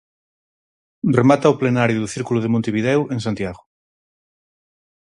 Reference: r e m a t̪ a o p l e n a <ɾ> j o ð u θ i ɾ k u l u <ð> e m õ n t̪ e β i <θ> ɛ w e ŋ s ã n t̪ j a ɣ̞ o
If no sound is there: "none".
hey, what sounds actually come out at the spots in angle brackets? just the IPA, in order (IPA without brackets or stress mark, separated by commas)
ɾ, ð, ð